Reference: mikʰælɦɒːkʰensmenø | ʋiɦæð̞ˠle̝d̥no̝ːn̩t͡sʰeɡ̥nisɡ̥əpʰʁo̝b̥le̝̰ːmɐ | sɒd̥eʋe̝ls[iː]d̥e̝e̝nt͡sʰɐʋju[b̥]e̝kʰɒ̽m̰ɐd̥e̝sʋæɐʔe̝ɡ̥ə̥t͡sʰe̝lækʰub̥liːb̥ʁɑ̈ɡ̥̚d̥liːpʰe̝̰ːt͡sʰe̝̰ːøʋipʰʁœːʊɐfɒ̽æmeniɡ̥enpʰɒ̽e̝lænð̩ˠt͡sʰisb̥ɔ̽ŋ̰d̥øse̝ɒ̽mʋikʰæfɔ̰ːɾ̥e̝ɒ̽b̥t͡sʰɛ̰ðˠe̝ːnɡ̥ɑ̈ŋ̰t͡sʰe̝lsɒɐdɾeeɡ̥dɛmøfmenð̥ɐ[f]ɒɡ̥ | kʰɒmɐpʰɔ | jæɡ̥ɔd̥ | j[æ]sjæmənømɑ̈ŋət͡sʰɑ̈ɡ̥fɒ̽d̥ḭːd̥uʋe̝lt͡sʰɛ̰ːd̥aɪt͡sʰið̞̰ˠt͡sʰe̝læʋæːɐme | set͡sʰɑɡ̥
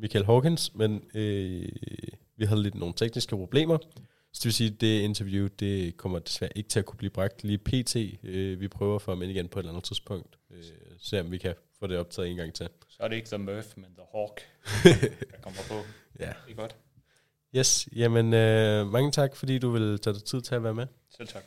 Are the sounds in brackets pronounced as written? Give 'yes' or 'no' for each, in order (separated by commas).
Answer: yes, no, no, no